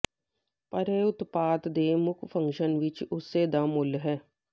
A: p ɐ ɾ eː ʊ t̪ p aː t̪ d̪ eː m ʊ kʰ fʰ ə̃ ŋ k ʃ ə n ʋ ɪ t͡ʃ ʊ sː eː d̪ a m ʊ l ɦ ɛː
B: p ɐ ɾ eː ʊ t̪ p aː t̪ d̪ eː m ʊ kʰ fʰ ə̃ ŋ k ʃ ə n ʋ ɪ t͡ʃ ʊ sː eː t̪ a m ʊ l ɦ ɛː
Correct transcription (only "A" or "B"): A